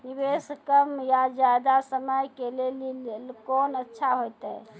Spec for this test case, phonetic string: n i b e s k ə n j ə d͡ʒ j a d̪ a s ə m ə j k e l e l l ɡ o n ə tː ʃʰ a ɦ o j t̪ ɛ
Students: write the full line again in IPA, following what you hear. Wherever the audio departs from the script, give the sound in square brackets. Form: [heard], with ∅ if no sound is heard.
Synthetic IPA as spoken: n i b e s k ə [m] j [a] d͡ʒ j a d̪ a s ə m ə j k e l e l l [k] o n ə tː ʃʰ a ɦ o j t̪ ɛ